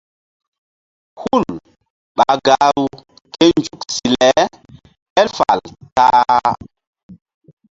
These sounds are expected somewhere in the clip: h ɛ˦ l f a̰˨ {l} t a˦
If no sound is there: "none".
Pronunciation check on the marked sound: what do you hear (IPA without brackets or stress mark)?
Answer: l